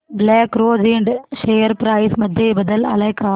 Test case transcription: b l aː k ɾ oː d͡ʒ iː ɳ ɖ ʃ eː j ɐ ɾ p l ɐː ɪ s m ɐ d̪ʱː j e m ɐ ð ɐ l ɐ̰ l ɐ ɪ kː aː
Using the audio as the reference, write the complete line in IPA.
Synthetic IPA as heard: b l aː k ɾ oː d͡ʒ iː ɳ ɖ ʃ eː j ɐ ɾ p ɾ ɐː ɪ s m ɐ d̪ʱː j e b ɐ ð ɐ l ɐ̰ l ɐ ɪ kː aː

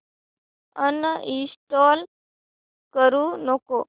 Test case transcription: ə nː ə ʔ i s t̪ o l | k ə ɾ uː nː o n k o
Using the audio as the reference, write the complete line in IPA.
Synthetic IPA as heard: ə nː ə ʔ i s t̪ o l | k ə ɾ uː n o k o

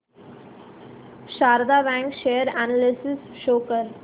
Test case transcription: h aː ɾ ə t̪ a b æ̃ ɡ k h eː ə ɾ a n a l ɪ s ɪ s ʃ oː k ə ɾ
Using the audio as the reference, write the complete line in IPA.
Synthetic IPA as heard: ʃ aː ɾ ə d̪ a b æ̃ ŋ k ʃ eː ə ɾ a n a l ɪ s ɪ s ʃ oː k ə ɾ

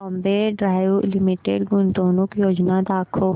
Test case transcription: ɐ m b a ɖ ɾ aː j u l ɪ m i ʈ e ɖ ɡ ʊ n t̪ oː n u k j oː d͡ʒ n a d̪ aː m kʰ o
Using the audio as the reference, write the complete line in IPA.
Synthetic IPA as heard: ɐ m b e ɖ ɾ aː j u l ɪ m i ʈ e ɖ ɡ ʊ n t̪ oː n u k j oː d͡ʒ n a d̪ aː kʰ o

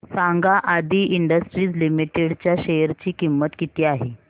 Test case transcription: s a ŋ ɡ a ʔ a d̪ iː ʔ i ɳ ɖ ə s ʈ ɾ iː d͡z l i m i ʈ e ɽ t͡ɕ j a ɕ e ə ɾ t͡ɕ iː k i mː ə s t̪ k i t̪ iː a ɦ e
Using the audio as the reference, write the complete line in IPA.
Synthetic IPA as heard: s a ŋ ɡ a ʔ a d̪ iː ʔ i ɳ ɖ ə s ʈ ɾ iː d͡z l i m i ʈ e ɽ t͡ɕ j a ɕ e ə ɾ t͡ɕ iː k i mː ə t̪ k i t̪ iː a ɦ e

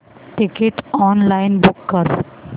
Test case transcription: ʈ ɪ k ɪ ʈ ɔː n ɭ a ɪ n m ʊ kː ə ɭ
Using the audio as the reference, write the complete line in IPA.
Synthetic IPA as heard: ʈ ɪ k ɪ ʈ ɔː n l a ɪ n b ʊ kː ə ɾ

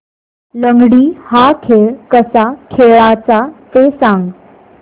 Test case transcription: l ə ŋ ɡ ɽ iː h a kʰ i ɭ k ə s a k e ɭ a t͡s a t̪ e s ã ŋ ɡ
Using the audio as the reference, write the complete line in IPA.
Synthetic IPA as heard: l ə ŋ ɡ ɽ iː h a kʰ e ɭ k ə s a kʰ e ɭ a t͡s a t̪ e s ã ŋ ɡ

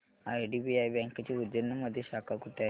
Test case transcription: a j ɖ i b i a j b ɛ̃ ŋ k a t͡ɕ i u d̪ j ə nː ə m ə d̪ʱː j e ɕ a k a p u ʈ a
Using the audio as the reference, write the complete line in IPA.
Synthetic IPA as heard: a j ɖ i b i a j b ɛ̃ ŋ k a t͡ɕ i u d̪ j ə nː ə m ə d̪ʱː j e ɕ a k a k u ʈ a

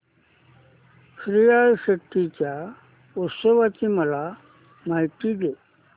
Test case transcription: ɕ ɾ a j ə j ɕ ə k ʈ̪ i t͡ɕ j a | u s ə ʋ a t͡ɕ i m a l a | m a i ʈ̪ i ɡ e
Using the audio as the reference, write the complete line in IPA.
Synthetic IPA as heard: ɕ ɾ i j a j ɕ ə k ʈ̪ i t͡ɕ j a | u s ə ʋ a t͡ɕ i m ə l a | m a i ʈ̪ i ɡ e

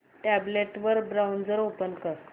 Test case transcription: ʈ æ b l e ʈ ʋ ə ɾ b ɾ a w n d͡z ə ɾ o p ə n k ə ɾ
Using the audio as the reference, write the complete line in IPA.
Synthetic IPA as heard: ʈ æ b l e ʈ ʋ ə ɾ b ɾ a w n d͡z ə ɾ o p ə n k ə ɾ

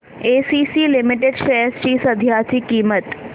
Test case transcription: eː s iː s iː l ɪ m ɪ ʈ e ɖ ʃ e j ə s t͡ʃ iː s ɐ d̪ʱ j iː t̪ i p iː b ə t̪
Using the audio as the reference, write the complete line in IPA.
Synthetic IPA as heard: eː s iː s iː l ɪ m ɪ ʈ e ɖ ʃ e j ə s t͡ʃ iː s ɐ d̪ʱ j aː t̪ i k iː m ə t̪

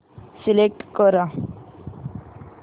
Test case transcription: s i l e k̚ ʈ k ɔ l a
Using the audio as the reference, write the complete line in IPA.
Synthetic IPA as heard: s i l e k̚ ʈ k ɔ ɾ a

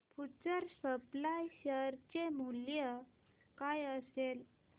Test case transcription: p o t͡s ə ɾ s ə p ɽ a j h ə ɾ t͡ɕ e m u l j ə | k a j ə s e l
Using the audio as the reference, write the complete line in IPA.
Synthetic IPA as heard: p u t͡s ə ɾ s ə p l a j ɕ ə ɾ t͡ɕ e m u l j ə | k a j ə s e l

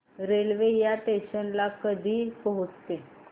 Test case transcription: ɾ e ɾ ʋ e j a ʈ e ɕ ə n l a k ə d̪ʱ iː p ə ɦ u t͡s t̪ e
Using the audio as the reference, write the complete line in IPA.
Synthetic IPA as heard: ɾ e l ʋ e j a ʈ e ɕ ə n l a k ə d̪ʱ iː p ə ɦ u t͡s t̪ e

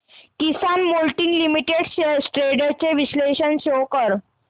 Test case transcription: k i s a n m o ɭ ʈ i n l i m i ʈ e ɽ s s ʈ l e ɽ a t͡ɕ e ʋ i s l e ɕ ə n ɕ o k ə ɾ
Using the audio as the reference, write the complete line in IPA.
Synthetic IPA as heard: k i s a n m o l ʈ i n l i m i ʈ e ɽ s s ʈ ɾ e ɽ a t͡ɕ e ʋ i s l e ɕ ə n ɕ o k ə ɾ

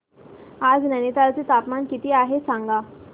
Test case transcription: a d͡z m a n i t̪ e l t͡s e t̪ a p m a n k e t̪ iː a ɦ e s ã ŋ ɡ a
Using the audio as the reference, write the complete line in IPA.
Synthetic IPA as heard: a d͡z n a n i t̪ a l t͡s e t̪ a p m a n k i t̪ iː a ɦ e s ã ŋ ɡ a

